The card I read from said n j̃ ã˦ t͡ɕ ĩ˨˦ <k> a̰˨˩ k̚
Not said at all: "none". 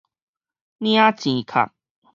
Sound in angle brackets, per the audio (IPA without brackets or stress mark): kʰ